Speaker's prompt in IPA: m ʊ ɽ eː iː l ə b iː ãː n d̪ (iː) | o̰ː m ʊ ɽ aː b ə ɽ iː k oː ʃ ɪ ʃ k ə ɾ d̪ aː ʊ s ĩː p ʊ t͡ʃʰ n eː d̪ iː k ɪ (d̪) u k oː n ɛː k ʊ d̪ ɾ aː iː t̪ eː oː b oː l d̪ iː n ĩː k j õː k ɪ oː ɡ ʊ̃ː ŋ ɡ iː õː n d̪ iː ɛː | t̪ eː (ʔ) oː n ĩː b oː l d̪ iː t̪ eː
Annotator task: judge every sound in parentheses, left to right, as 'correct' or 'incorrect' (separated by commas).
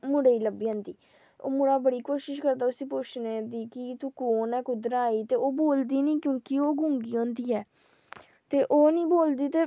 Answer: correct, incorrect, correct